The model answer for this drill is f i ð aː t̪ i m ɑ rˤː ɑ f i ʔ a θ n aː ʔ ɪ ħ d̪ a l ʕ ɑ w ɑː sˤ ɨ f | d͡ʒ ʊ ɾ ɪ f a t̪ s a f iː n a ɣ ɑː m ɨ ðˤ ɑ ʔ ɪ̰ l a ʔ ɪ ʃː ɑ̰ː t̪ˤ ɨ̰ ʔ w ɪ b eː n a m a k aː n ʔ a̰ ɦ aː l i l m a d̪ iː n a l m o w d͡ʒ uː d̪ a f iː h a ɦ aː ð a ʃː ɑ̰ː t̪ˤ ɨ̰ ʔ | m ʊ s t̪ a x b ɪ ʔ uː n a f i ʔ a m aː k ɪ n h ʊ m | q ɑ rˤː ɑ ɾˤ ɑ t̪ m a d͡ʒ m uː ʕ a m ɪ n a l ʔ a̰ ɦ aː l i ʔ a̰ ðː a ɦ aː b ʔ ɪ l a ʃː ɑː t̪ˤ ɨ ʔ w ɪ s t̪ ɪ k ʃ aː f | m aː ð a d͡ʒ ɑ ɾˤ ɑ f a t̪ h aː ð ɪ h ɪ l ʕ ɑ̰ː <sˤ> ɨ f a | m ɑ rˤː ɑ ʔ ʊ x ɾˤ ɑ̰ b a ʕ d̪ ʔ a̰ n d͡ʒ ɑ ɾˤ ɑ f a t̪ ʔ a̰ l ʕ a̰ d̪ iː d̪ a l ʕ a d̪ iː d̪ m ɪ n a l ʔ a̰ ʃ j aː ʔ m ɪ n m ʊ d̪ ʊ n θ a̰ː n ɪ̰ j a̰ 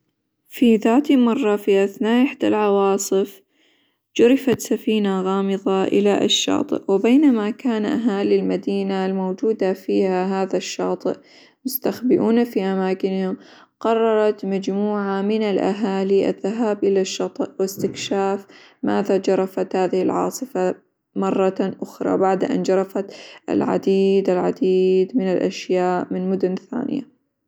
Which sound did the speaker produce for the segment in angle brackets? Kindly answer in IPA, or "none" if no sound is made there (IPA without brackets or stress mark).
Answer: sˤ